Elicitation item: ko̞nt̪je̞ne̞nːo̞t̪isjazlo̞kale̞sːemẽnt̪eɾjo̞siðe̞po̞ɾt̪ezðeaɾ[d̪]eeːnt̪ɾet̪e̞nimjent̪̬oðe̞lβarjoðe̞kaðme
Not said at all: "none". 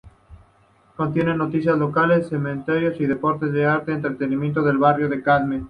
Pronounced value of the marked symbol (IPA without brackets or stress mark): t̪